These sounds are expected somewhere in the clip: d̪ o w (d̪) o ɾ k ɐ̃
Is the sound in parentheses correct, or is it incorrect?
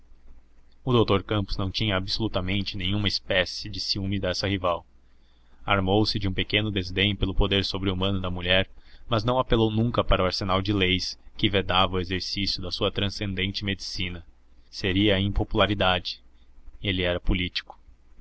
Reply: incorrect: t̪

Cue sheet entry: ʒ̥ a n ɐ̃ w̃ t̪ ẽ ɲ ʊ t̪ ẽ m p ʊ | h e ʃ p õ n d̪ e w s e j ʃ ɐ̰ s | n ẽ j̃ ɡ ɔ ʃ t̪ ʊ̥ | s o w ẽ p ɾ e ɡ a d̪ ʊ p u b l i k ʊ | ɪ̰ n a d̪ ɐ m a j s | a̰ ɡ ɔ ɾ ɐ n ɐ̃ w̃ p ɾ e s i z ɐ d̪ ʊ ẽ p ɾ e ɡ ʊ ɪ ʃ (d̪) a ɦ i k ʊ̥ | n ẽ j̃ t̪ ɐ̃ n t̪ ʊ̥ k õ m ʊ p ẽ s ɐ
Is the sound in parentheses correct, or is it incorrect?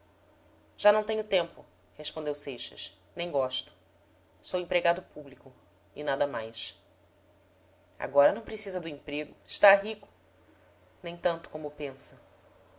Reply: incorrect: t̪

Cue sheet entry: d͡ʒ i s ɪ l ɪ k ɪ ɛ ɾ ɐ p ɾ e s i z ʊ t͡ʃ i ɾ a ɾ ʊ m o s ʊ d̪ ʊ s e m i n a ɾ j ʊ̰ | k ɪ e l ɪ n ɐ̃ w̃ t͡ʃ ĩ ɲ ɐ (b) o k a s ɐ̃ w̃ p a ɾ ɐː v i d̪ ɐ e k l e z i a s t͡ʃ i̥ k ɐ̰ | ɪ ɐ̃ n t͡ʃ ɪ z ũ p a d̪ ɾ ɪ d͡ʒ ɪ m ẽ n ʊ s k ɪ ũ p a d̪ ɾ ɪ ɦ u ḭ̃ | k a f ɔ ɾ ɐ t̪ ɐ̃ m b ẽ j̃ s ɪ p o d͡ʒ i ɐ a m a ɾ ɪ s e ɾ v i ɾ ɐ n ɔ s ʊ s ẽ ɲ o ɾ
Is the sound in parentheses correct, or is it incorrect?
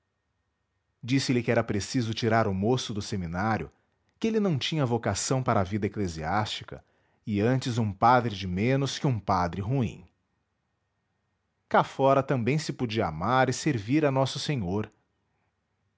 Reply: incorrect: v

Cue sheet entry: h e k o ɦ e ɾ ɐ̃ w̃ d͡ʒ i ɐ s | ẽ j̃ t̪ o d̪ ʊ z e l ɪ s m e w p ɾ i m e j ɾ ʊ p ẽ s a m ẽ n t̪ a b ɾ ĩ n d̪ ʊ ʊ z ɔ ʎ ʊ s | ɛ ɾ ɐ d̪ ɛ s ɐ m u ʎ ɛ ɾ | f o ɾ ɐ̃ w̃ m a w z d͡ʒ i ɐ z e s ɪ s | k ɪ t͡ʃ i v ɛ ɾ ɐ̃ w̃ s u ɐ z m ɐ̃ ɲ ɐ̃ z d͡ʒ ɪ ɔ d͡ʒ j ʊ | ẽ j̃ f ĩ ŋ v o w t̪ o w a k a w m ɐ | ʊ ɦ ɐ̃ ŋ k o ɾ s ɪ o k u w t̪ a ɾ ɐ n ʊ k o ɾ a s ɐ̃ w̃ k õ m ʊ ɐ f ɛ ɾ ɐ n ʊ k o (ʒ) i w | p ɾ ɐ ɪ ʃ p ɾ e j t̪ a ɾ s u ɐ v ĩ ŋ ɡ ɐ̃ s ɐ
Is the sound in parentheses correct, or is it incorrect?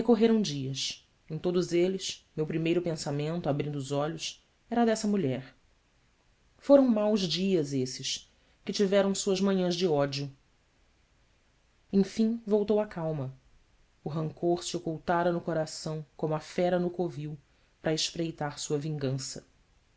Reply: incorrect: v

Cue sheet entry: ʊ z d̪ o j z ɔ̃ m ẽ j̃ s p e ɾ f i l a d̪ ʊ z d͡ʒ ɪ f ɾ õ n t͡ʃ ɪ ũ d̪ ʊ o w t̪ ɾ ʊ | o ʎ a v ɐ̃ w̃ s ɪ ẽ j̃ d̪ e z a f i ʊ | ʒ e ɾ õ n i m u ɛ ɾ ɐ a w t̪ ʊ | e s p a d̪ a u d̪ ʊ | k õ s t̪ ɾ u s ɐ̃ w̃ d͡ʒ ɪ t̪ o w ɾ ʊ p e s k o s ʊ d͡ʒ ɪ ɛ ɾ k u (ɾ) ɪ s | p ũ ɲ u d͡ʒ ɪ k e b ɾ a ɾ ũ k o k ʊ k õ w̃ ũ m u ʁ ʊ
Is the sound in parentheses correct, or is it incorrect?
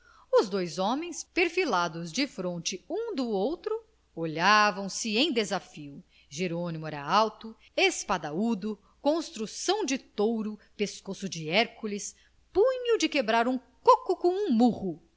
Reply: incorrect: l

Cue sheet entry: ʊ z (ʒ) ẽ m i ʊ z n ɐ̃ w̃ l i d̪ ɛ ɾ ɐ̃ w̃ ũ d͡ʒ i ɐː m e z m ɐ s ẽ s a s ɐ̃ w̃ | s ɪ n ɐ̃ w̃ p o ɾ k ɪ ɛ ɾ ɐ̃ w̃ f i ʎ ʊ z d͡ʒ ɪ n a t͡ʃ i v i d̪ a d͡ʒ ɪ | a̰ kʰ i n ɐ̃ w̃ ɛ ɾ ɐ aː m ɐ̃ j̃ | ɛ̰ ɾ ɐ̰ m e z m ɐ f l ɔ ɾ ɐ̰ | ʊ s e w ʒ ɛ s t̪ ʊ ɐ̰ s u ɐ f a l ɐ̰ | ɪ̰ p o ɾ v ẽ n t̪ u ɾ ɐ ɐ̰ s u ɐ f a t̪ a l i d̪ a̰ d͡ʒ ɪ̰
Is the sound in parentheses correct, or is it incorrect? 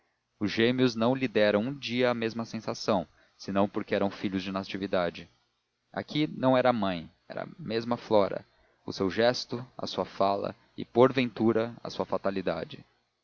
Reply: correct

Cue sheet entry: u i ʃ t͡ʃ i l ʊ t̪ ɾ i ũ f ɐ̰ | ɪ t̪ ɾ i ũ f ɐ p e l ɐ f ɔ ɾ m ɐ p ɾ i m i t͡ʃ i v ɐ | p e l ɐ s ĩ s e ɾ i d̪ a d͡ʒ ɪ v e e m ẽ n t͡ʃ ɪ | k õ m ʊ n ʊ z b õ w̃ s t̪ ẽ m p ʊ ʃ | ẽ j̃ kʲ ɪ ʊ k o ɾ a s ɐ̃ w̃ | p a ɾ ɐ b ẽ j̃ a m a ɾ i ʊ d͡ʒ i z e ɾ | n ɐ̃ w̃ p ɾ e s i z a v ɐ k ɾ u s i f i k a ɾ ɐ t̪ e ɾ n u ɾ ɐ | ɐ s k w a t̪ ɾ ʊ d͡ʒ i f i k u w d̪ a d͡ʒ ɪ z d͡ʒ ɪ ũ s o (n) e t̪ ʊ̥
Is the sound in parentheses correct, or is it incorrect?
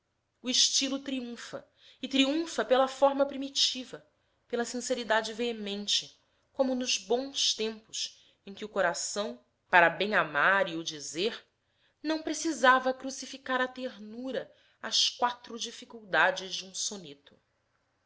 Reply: correct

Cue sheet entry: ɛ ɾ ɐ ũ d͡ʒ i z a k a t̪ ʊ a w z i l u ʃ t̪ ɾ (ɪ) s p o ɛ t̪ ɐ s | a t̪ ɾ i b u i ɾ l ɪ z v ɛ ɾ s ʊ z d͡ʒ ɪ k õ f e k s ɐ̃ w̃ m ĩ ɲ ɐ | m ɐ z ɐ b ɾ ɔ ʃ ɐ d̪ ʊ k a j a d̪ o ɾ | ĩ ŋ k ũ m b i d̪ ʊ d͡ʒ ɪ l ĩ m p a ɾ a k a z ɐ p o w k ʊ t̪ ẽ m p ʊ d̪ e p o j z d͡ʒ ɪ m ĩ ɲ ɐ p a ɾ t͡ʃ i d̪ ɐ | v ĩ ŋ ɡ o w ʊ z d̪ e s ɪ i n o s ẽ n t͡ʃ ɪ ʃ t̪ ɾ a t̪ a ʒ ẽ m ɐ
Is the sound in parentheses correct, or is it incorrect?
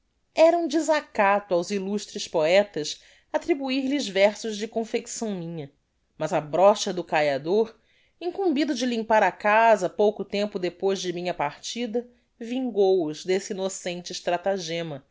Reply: correct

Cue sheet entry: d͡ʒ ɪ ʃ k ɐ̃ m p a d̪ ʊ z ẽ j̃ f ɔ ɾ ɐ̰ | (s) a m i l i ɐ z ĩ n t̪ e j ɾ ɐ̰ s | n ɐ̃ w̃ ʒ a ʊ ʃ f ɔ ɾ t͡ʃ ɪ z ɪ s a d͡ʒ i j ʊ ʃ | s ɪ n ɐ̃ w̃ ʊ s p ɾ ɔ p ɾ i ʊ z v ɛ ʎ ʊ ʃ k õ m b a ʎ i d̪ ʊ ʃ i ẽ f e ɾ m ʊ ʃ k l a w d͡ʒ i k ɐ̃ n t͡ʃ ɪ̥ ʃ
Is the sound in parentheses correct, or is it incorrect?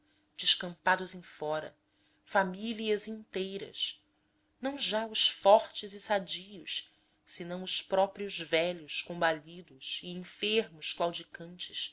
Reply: incorrect: f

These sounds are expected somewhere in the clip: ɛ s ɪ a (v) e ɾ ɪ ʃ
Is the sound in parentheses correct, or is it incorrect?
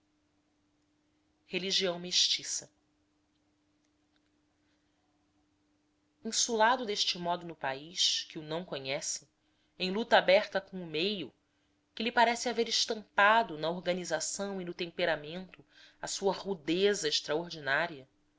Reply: correct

